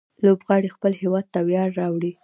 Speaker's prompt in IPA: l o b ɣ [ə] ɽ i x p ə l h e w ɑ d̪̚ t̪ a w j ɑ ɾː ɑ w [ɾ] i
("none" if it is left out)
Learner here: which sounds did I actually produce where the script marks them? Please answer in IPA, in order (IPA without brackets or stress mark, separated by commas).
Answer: ɑ, ɽ